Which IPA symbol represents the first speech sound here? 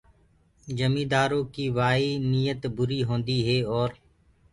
d͡ʒ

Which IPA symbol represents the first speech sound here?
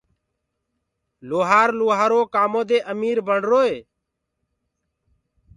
l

